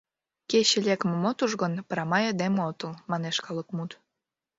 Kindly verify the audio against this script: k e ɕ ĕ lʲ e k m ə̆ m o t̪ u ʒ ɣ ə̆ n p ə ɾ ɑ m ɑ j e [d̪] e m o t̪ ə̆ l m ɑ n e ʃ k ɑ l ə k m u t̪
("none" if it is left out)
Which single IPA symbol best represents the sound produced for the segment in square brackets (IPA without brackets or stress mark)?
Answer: d̪